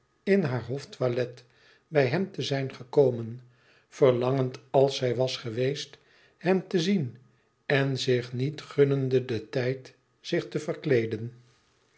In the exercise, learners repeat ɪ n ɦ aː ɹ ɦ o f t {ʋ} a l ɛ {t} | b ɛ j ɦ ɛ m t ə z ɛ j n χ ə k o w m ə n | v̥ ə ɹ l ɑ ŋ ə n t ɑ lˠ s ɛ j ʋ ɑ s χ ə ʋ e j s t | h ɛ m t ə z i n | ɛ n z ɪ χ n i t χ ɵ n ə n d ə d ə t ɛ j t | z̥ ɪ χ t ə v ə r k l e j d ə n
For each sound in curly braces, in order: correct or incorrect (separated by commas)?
correct, correct